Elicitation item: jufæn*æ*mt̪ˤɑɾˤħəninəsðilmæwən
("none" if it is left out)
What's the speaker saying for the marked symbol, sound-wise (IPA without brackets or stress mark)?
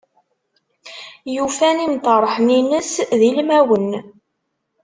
i